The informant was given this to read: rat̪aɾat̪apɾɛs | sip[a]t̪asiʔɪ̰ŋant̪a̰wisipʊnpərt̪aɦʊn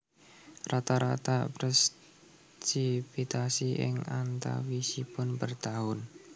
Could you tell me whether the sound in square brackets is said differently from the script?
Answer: yes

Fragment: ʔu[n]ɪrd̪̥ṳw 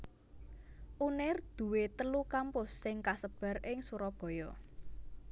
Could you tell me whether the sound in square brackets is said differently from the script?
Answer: no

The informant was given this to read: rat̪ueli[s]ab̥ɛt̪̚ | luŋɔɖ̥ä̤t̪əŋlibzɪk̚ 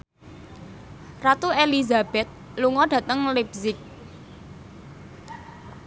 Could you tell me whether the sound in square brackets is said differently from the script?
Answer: yes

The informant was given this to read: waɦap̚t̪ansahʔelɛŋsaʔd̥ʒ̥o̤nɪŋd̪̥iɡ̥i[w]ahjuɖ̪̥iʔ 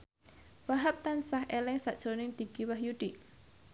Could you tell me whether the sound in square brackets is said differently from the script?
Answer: no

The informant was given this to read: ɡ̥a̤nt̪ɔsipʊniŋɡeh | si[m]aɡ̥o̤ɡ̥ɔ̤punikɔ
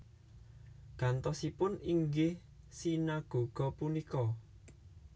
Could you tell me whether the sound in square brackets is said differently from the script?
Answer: yes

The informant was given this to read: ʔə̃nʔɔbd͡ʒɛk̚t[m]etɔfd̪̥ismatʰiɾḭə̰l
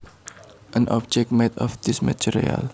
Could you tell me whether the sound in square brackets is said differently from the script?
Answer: no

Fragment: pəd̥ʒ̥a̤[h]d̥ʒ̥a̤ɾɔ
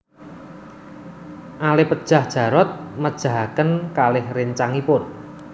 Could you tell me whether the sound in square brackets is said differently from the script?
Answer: no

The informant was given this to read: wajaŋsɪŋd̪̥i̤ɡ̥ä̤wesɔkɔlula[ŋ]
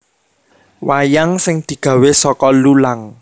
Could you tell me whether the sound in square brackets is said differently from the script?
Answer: no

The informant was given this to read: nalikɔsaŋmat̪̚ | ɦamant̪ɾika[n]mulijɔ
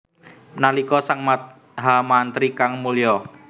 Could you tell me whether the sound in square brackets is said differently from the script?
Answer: yes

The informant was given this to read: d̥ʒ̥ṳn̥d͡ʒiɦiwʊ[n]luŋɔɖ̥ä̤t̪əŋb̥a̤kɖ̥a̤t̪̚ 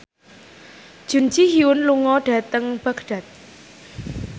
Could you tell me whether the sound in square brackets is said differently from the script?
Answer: no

